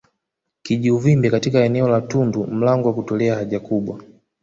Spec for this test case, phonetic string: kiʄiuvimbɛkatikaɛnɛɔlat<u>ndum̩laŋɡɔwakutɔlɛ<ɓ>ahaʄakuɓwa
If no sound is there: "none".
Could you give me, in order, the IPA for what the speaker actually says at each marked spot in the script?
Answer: u, none

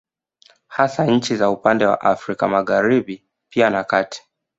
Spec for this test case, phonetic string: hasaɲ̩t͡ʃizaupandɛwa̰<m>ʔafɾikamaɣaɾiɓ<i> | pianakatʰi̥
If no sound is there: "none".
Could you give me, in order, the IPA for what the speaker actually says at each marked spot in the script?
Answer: none, i

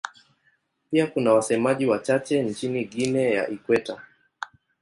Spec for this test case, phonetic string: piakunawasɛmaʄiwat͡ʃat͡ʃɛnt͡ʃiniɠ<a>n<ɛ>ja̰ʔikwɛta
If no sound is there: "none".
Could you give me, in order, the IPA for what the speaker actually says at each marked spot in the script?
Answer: i, ɛ

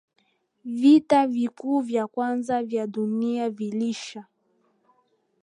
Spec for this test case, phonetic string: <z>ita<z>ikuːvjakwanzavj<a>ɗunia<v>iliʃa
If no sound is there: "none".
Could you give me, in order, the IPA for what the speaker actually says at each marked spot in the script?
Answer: v, v, a, v

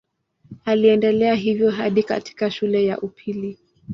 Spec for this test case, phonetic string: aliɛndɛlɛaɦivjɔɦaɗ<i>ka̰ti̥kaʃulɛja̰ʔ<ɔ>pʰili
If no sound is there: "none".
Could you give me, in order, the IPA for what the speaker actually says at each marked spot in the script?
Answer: i, u

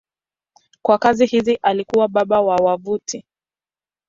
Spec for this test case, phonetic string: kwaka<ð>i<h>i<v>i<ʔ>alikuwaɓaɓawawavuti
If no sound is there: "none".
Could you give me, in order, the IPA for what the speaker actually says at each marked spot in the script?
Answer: z, h, z, ʔ

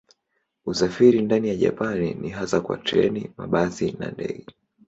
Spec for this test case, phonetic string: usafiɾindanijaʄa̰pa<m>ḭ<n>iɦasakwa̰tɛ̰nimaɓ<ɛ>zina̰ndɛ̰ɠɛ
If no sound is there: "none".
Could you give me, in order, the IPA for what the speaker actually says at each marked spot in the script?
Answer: n, n, a

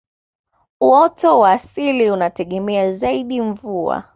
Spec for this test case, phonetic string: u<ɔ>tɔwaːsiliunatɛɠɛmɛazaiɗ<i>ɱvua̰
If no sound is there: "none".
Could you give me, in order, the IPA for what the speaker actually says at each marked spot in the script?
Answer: ɔ, i

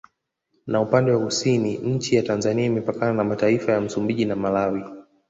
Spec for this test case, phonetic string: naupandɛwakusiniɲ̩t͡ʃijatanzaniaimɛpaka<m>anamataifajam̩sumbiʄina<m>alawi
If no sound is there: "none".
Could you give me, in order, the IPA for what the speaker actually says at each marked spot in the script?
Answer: n, m

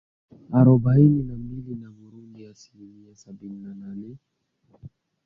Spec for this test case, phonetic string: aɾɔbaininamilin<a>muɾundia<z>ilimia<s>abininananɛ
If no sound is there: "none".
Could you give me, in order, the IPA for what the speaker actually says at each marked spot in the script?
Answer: a, s, s

